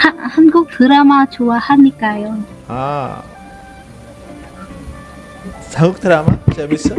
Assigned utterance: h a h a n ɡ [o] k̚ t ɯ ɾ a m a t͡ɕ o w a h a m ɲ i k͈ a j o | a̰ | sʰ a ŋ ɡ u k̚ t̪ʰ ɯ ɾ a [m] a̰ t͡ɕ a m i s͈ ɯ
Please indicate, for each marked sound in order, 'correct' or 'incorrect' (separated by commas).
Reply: incorrect, correct